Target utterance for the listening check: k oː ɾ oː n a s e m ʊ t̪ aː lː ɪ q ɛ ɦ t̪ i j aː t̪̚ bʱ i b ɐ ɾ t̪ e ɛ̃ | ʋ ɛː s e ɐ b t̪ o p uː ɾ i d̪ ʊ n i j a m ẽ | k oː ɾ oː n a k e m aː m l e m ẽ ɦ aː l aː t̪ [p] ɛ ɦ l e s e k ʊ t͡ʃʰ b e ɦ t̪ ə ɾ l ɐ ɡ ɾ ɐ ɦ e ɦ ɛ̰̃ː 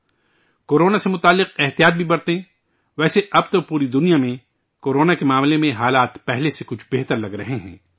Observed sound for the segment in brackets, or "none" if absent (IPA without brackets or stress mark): p